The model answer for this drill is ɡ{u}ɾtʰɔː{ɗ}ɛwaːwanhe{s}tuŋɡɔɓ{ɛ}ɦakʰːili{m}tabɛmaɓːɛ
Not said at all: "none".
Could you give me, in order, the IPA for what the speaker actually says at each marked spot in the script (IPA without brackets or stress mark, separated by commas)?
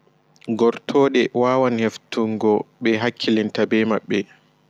ɔ, ɗ, f, ɛ, n